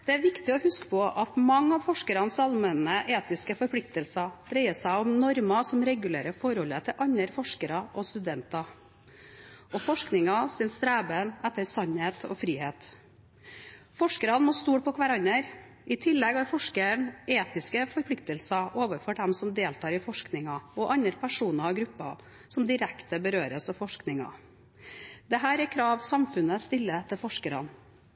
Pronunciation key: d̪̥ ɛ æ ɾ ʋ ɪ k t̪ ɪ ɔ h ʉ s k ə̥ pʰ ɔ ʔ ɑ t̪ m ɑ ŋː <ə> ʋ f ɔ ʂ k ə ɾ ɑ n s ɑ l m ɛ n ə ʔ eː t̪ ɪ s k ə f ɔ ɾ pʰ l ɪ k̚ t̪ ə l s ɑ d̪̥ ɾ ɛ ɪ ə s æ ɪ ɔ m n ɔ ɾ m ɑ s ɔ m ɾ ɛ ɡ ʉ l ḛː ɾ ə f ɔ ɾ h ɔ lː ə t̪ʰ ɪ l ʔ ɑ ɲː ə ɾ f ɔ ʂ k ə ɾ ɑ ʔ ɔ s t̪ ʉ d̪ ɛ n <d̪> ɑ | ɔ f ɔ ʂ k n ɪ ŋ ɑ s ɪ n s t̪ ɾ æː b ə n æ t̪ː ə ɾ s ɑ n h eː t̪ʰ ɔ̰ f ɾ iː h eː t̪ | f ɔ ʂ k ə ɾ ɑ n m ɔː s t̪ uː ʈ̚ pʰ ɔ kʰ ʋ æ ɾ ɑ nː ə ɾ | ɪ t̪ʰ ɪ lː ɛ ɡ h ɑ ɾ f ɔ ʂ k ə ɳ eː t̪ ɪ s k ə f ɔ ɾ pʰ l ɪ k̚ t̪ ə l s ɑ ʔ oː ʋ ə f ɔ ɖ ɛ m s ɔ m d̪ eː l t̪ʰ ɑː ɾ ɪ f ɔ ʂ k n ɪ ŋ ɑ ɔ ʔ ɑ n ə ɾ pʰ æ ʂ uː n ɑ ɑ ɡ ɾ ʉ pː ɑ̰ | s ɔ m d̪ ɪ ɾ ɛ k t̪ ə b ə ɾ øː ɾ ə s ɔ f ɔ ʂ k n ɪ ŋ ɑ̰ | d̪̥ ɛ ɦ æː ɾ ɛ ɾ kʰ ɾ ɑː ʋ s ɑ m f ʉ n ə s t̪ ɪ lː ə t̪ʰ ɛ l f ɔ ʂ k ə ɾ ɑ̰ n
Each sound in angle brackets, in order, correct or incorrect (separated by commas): incorrect, incorrect